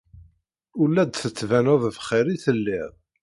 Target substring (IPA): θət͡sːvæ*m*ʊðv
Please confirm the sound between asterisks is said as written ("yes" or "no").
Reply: no